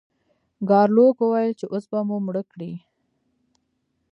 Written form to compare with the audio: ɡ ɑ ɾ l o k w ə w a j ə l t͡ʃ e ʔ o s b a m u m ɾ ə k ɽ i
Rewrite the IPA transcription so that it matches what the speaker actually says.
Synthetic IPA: ɡ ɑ ɾ l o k w ə w a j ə l t͡ʃ e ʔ o s b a m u m ɽ ə k ɽ i